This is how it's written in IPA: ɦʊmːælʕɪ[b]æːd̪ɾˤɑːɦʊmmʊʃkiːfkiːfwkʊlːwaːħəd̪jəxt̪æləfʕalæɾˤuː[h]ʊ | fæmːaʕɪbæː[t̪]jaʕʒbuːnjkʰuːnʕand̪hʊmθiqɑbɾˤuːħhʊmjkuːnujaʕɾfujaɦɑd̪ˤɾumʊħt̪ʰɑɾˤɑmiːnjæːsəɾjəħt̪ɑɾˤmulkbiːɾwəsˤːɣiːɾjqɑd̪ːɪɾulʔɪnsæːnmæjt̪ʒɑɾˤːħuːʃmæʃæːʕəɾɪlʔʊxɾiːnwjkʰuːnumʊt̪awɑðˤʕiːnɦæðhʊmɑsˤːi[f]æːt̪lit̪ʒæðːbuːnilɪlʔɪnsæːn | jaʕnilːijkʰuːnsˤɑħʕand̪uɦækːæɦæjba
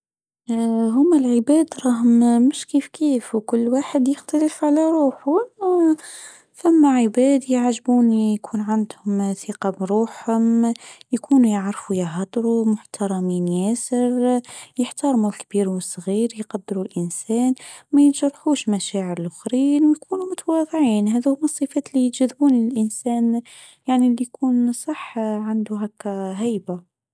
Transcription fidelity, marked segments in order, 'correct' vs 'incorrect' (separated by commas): correct, incorrect, incorrect, correct